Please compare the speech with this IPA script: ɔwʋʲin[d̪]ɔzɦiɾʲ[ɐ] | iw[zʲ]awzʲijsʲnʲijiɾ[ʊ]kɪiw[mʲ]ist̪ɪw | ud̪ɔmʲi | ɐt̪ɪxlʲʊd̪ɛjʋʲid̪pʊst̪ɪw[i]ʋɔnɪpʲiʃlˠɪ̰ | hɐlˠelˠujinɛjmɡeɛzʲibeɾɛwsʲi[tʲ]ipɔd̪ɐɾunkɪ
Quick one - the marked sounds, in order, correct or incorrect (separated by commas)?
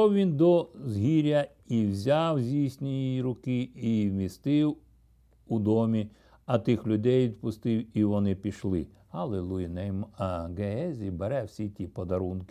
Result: correct, correct, correct, correct, correct, correct, correct